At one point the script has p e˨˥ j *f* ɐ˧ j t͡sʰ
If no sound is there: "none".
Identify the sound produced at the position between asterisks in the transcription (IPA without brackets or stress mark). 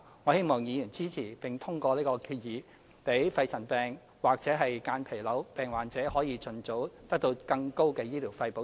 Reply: f